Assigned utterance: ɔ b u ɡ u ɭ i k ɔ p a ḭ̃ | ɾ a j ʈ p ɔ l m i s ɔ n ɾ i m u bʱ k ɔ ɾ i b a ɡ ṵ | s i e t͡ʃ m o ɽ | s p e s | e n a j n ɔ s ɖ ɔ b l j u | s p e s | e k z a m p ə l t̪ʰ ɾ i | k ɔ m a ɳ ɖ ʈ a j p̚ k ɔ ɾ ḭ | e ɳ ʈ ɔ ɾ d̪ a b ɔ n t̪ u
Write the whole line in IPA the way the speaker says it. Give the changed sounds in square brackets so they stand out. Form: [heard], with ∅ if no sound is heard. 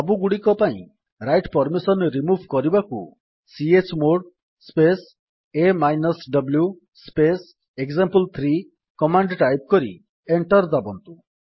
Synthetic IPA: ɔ b u ɡ u [ɽ] i k ɔ p a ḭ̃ | ɾ a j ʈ p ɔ [ɾ] m i s ɔ n ɾ i m u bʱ k ɔ ɾ i b a [k] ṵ | s i e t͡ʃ m o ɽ | s p e s | e [m] a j n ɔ s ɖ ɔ b l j u | s p e s | e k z a m p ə l t̪ʰ ɾ i | k ɔ m a ɳ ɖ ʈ a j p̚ k ɔ ɾ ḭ | e ɳ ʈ ɔ ɾ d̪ a b ɔ n t̪ u